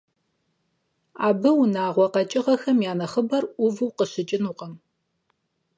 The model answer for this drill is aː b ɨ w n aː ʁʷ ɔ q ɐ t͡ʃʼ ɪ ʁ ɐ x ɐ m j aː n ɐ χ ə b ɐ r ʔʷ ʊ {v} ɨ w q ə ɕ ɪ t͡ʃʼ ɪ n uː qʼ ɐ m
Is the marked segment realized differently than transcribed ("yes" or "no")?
no